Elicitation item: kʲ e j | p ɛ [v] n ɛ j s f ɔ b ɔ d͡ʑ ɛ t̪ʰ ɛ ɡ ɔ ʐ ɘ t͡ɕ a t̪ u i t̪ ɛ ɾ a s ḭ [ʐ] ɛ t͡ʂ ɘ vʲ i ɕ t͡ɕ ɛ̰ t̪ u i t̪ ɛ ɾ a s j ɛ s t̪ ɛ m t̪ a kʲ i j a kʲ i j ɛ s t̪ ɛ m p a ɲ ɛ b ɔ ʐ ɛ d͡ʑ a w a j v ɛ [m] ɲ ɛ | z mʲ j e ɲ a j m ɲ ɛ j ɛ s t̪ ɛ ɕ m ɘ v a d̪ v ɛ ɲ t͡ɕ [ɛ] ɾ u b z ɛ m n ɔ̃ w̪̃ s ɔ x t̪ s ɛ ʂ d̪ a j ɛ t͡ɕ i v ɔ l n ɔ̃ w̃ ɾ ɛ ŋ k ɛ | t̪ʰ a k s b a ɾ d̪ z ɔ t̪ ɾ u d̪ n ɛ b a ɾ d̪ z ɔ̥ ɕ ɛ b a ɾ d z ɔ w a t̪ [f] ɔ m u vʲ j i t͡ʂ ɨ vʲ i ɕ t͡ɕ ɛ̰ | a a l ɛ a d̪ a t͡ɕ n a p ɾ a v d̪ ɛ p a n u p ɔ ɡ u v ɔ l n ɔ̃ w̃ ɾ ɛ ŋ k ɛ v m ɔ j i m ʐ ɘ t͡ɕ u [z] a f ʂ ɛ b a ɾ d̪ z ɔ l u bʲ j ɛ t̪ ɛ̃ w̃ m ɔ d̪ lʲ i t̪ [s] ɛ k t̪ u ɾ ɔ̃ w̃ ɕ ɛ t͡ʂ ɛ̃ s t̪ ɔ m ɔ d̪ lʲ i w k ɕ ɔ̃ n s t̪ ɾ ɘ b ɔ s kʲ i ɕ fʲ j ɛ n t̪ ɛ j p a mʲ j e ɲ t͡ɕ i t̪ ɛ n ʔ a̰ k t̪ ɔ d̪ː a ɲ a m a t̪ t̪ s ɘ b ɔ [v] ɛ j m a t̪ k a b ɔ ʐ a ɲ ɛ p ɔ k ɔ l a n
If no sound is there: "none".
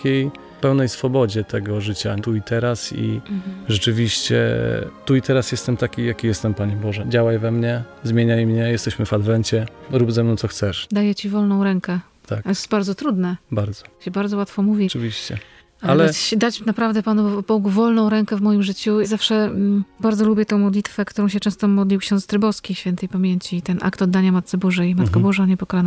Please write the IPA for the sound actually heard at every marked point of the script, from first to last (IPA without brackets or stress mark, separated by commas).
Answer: w, ʐ, m, ɛ, f, z, f, ʐ